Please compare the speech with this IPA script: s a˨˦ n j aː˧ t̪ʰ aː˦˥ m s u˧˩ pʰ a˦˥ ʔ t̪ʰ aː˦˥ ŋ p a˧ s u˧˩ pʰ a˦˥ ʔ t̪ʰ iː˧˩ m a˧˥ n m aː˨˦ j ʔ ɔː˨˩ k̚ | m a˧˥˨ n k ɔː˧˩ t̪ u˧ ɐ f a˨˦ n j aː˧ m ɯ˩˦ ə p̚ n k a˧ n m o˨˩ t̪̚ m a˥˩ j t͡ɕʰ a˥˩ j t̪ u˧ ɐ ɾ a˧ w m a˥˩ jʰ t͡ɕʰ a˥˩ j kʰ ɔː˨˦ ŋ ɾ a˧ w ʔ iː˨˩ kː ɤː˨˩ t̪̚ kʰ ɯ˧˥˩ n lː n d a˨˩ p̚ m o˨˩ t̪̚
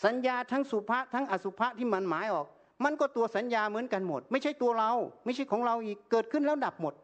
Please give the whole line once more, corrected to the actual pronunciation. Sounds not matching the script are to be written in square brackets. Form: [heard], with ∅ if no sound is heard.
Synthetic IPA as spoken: s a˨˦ n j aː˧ t̪ʰ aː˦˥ [ŋ] s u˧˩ pʰ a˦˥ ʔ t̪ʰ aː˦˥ ŋ [ʔ] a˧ s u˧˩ pʰ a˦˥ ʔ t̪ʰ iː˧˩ m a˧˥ n m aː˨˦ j ʔ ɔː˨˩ k̚ | m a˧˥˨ n k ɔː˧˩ t̪ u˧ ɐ [s] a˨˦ n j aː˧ m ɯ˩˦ ə [∅] n k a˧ n m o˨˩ t̪̚ m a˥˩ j t͡ɕʰ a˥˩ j t̪ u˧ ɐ ɾ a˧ w m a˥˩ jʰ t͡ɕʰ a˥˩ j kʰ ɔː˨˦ ŋ ɾ a˧ w ʔ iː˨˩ kː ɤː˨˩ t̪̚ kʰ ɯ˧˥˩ n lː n d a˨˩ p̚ m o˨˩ t̪̚